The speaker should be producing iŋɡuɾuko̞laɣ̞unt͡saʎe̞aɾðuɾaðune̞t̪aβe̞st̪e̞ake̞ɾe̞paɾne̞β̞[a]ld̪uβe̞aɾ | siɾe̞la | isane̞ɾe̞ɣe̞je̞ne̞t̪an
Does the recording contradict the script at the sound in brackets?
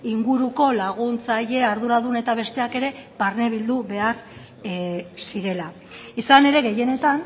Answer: yes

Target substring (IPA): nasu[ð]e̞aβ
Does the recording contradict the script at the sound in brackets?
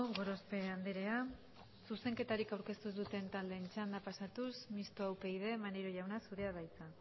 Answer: no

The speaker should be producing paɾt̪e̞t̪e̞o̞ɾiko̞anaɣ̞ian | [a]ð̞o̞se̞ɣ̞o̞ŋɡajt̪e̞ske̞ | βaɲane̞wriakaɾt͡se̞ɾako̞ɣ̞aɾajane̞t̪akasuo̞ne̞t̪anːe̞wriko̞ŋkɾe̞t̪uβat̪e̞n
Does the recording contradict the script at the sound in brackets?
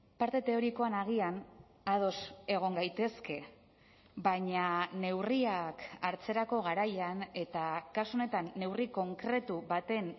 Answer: no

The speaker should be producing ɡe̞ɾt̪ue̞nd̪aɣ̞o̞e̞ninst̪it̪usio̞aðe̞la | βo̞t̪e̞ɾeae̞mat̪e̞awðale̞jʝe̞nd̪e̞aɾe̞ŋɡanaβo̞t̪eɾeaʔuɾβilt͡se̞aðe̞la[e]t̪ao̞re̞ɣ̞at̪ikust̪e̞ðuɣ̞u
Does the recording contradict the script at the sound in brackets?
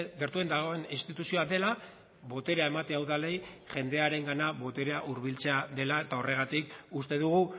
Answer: no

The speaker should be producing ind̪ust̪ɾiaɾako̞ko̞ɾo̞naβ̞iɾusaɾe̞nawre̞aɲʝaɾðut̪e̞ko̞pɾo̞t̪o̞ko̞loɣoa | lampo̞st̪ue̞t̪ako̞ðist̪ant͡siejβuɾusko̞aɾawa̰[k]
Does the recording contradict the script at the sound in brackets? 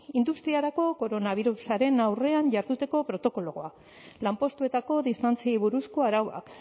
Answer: no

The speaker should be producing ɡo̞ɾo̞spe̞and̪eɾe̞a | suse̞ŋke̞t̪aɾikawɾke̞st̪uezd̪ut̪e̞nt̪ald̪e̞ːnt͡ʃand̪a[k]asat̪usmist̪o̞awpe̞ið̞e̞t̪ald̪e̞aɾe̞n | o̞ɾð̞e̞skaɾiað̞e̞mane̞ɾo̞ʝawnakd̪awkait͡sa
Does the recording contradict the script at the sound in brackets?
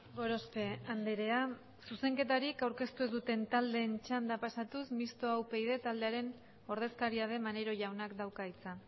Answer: yes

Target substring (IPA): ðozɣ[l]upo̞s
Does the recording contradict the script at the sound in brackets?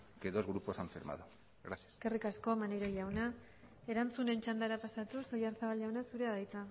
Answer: yes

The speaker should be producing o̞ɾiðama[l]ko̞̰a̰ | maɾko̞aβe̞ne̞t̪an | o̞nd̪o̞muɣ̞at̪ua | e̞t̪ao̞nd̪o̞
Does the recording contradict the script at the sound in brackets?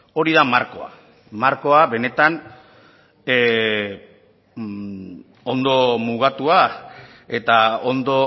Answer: yes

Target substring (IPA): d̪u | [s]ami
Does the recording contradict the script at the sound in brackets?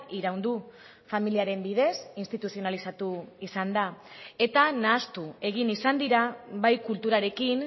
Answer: yes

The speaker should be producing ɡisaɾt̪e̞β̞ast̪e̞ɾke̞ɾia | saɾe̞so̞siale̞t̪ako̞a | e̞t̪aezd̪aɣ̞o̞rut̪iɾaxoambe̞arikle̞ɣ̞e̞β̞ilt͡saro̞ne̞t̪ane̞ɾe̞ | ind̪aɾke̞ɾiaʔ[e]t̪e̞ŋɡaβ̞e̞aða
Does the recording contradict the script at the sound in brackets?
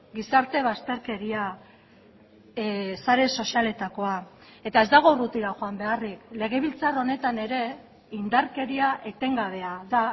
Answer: no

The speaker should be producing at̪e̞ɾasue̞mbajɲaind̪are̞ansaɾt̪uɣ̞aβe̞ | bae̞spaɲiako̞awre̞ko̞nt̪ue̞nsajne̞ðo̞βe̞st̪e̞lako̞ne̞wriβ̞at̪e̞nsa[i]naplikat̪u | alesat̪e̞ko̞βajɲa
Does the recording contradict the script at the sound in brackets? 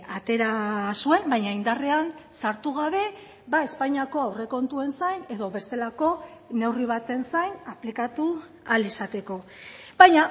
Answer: yes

